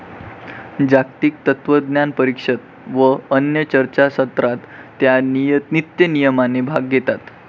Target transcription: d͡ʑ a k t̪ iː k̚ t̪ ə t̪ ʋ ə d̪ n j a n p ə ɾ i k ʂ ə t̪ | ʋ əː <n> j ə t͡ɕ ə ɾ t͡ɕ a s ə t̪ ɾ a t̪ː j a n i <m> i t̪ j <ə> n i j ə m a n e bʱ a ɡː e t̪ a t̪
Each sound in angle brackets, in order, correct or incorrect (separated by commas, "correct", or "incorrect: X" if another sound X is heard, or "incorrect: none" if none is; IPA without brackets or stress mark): correct, incorrect: n, correct